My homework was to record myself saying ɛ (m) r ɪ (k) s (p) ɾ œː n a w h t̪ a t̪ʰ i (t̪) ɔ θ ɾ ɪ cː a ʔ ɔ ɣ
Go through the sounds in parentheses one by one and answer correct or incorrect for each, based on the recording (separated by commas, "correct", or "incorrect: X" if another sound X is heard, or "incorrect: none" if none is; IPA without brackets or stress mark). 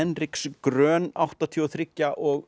incorrect: n, correct, incorrect: k, incorrect: none